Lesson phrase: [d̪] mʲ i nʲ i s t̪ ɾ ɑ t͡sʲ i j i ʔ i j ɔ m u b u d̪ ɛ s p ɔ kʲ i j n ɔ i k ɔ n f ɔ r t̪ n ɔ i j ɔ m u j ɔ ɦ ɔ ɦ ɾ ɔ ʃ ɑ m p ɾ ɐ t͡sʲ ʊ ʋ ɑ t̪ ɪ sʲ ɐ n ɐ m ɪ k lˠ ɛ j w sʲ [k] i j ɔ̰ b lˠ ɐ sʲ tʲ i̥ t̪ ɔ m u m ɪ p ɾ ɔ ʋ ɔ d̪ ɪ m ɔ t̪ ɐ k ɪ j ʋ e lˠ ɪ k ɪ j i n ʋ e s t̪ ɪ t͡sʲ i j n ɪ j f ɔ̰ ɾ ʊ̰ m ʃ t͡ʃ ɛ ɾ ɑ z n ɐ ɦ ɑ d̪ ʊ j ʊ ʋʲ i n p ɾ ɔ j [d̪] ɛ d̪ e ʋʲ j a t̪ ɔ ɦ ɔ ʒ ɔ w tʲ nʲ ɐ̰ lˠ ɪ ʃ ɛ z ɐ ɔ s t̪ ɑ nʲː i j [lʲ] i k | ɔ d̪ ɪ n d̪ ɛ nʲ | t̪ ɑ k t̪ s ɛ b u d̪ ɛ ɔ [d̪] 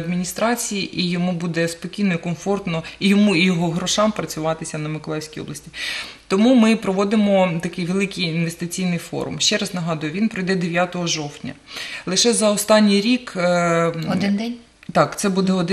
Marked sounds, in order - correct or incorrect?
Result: correct, correct, correct, incorrect: ɾʲ, correct

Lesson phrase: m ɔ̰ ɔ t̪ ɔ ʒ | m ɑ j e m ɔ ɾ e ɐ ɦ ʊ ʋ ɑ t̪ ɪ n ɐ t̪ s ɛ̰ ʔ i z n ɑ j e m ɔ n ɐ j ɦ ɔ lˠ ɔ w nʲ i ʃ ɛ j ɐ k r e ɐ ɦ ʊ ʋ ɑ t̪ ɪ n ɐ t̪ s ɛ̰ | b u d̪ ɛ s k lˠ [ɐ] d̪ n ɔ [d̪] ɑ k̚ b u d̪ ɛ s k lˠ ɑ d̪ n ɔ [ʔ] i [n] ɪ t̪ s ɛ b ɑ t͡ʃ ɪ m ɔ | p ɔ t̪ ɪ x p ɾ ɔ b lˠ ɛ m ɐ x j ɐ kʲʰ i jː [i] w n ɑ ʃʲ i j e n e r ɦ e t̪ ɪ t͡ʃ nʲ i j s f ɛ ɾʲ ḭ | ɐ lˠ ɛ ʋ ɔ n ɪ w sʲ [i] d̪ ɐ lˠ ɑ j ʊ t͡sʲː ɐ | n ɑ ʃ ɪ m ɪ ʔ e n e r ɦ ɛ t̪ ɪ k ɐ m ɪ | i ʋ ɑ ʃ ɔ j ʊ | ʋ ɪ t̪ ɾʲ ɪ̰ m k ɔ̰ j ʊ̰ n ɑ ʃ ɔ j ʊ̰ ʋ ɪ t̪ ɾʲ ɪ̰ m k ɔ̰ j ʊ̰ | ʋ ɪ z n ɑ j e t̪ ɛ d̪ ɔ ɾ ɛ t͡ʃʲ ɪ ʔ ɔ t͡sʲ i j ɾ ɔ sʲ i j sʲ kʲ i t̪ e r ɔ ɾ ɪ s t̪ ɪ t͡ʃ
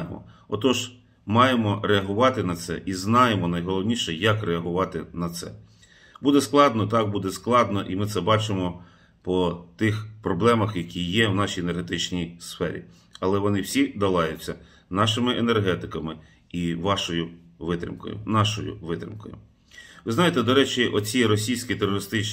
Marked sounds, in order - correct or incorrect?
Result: incorrect: ɑ, incorrect: t̪, correct, incorrect: m, incorrect: ɛ, correct

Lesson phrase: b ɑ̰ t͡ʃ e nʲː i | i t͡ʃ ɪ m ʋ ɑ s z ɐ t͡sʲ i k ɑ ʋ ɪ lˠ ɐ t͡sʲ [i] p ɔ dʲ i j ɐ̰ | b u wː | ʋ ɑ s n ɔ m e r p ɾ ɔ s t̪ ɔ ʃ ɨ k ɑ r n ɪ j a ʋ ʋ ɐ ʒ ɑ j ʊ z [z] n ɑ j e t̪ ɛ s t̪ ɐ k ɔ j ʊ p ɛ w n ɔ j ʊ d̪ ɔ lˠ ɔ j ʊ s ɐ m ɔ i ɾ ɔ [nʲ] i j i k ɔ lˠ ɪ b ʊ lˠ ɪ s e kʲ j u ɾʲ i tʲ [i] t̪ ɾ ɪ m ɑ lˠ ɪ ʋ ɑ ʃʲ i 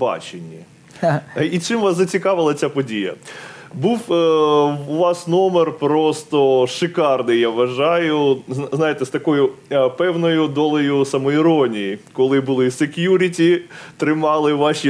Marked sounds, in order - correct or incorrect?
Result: incorrect: a, correct, correct, correct

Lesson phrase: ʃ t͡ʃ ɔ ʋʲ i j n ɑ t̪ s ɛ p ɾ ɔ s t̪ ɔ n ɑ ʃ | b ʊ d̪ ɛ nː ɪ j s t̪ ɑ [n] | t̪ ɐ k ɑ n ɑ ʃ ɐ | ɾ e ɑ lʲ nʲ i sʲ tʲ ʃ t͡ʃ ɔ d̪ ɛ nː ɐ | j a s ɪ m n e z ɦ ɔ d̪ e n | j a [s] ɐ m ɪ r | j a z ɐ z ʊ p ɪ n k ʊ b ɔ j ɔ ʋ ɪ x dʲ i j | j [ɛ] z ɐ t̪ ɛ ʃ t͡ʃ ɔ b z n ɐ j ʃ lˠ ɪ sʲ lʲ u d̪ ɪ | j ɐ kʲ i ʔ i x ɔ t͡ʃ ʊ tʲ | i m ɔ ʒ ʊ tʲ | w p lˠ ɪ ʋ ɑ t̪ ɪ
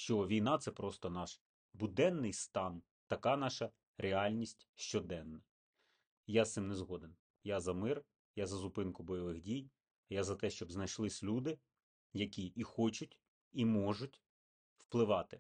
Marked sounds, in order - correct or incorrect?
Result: correct, incorrect: z, incorrect: a

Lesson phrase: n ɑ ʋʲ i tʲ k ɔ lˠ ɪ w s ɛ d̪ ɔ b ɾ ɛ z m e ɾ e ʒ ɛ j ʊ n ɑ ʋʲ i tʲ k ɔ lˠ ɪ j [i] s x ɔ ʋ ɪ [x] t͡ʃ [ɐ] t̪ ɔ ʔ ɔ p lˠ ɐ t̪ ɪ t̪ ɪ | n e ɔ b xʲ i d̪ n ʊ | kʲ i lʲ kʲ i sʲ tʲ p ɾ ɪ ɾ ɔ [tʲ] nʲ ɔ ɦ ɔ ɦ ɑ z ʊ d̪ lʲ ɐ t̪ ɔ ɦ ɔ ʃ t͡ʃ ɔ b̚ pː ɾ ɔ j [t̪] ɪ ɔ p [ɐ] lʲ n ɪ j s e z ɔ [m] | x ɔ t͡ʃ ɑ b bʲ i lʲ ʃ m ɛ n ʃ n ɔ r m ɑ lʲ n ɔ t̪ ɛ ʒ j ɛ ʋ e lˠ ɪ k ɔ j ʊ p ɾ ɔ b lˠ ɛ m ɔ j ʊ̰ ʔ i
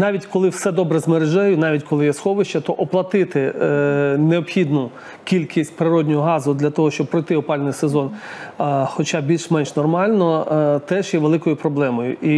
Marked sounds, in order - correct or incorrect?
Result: incorrect: ɛ, incorrect: ʃ, correct, incorrect: dʲ, correct, incorrect: ɑ, incorrect: n

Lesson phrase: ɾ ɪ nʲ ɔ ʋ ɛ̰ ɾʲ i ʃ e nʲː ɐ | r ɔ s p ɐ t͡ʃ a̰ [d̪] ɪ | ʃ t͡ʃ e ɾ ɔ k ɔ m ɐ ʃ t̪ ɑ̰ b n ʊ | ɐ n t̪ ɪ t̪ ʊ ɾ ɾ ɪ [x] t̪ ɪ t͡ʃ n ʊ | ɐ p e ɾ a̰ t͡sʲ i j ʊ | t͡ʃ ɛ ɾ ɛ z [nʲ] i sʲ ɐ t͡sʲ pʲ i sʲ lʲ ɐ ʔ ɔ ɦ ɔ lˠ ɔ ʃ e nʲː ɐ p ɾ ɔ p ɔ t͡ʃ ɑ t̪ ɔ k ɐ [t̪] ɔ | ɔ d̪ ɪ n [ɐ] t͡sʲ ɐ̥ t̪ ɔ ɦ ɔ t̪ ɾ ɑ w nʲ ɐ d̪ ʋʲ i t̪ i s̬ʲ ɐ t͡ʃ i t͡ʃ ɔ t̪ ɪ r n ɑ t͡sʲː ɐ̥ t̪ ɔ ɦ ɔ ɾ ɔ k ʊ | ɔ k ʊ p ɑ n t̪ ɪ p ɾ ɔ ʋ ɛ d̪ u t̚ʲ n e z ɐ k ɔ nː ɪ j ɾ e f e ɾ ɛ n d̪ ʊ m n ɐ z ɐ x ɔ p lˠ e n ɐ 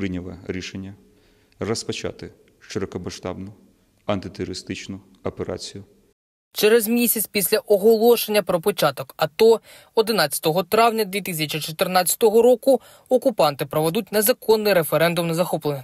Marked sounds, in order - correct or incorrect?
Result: incorrect: t̪, incorrect: s, incorrect: mʲ, correct, incorrect: ɑ

